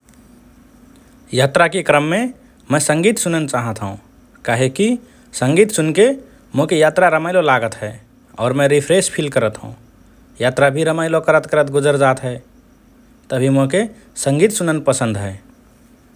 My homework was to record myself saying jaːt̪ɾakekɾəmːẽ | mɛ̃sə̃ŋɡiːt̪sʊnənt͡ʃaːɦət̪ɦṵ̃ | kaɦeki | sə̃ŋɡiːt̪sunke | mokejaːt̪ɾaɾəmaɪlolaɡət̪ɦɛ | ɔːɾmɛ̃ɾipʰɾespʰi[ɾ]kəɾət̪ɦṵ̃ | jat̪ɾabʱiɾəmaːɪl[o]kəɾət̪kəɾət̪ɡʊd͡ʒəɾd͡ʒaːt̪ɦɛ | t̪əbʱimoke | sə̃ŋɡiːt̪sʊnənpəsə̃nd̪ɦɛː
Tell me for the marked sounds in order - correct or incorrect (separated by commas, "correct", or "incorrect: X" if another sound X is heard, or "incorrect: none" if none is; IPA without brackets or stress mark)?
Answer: incorrect: l, correct